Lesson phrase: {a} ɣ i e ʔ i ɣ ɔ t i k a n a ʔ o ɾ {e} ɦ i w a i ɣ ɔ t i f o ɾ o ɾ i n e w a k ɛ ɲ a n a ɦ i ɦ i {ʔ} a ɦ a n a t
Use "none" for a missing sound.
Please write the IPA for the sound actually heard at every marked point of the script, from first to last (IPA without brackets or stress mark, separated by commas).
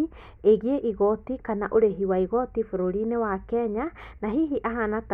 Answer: e, e, ʔ